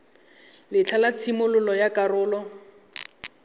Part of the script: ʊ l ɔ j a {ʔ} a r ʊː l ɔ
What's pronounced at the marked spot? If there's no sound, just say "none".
k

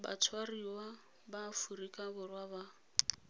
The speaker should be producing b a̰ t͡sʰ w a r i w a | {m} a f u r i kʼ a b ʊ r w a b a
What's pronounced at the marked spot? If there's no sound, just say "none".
b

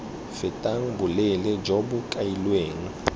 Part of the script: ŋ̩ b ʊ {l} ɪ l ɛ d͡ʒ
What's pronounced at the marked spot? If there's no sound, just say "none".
l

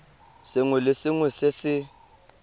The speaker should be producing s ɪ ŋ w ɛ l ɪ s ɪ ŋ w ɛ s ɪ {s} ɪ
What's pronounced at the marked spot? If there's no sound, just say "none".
s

